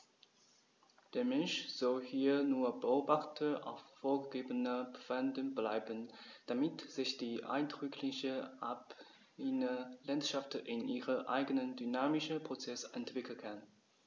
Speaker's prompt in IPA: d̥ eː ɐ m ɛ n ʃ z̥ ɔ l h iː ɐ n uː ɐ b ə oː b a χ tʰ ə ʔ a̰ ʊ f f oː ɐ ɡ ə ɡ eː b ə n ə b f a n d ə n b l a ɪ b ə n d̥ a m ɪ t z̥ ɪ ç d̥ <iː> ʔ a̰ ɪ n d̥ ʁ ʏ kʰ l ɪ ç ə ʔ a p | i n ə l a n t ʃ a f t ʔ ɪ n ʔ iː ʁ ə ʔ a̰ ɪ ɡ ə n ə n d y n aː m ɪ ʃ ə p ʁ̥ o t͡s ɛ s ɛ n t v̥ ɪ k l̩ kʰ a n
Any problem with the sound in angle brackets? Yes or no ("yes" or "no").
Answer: no